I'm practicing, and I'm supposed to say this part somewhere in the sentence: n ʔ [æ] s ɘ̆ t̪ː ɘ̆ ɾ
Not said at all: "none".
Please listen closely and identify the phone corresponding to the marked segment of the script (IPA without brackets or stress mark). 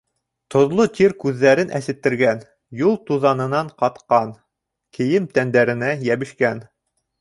æ